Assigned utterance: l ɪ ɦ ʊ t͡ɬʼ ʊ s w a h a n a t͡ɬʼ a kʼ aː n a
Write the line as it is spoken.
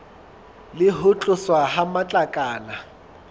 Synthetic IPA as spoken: l ɪ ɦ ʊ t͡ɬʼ ʊ s w a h a m a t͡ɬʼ a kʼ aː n a

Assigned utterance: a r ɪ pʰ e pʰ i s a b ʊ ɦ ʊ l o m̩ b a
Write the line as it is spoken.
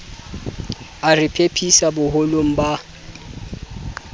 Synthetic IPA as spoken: a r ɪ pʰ e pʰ i s a b ʊ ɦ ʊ l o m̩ b a

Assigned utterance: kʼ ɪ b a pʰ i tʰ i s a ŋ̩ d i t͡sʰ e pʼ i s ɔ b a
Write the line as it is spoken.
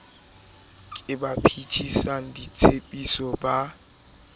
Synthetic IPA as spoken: kʼ ɪ b a pʰ i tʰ i s a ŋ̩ d i t͡sʰ e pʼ i s ɔ b a

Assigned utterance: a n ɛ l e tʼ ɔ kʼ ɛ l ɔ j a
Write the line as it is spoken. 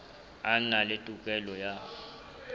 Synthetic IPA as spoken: a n a l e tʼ u kʼ ɛ l ɔ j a

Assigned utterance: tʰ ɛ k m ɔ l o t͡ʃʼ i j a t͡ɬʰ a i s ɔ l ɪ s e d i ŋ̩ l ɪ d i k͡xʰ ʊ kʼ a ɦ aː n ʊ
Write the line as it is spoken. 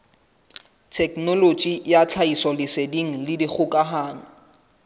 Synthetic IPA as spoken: tʰ ɛ k n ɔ l o t͡ʃʼ i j a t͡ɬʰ a i s ɔ l ɪ s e d i ŋ̩ l ɪ d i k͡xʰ ʊ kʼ a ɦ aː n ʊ

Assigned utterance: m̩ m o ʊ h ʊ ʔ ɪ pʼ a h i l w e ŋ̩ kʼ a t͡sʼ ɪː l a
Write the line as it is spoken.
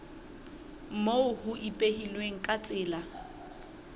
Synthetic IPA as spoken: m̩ m o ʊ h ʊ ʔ i pʼ e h i l w e ŋ̩ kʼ a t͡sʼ ɪː l a

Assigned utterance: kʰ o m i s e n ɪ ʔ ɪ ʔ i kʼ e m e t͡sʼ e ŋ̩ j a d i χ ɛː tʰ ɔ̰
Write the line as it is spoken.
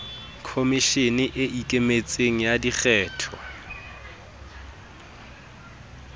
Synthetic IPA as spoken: kʰ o m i ʃ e n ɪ ʔ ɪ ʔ i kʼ e m e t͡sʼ e ŋ̩ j a d i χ ɛː tʰ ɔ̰

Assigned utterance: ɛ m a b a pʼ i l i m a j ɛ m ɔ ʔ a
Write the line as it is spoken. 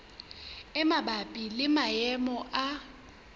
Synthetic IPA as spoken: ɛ m a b a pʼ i l ɪ m a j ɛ m ɔ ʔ a

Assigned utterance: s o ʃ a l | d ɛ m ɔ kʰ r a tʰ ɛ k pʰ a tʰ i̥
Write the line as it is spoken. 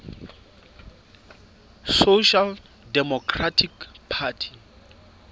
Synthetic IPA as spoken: s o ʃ a l | d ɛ m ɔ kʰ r a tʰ i k pʰ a tʰ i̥

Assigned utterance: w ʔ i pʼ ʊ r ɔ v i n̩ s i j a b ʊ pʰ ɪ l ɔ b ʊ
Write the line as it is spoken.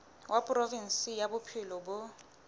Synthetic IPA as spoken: w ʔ a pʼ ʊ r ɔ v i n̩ s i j a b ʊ pʰ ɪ l ɔ b ʊ

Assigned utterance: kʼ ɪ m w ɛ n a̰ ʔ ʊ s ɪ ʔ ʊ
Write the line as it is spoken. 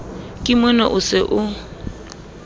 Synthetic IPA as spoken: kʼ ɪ m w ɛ n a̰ ʔ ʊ s ɪ ʔ ʊ

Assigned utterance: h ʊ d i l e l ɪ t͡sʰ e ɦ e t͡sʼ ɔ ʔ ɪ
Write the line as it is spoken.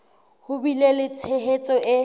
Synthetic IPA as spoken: h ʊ b i l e l ɪ t͡sʰ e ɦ e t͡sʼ ɔ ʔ ɪ

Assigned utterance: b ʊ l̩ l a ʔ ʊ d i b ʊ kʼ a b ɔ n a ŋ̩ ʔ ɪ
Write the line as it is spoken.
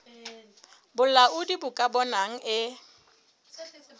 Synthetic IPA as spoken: b ʊ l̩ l a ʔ ʊ d i b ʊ kʼ a b ɔ n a ŋ̩ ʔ ɪ

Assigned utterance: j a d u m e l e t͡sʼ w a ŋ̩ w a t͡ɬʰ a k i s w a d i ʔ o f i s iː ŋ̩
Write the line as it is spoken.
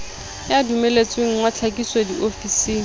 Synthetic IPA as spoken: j a d u m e l e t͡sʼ w e ŋ̩ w a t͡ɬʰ a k i s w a d i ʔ o f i s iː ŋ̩

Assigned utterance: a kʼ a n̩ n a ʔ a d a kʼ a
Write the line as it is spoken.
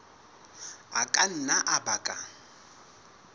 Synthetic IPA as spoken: a kʼ a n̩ n a ʔ a b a kʼ a

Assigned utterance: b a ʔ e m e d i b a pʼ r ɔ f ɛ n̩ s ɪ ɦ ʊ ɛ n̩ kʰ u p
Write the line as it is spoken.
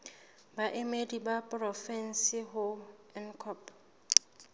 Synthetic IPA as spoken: b a ʔ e m e d i b a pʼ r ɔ f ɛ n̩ s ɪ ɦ ʊ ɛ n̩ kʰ ɔ p

